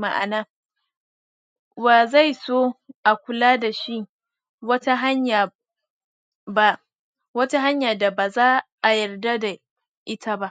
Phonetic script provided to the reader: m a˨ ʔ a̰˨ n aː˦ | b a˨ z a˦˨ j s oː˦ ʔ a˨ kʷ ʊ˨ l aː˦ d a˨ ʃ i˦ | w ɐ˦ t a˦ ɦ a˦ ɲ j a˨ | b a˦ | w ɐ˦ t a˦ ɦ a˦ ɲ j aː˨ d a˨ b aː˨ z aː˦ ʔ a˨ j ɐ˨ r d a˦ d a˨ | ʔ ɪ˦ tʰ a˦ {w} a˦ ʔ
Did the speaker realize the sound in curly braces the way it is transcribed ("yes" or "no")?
no